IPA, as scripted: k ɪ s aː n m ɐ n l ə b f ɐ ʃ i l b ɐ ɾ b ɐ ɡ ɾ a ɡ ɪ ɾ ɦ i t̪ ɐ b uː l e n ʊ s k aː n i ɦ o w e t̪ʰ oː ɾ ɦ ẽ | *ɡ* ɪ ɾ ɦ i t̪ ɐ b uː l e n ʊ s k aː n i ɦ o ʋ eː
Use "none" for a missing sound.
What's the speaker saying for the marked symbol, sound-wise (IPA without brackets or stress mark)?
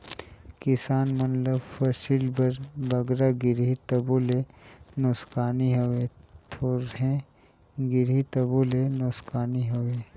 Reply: ɡ